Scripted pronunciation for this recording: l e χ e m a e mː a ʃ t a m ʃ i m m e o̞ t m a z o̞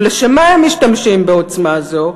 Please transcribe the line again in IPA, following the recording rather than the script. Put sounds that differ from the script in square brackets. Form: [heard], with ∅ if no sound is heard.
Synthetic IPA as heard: l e [ʃ] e m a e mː [i] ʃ t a m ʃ i m [b] e o̞ [t͡s] m a z o̞